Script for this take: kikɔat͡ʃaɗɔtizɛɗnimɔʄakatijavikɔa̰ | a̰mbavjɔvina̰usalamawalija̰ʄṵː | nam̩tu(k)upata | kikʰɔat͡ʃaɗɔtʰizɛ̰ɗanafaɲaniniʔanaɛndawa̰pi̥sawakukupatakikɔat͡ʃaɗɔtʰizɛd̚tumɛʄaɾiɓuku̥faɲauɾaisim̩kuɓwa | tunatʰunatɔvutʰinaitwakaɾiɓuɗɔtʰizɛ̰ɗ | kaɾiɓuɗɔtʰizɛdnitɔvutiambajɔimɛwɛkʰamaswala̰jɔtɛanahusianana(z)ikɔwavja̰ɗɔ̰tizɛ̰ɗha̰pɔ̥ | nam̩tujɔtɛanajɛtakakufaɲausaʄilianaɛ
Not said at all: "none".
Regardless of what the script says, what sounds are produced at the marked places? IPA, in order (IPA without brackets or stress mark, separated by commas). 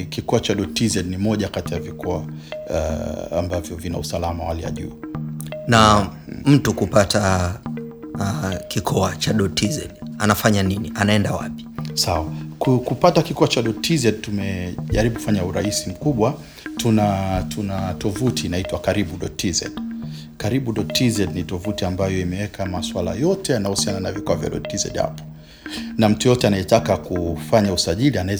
k, v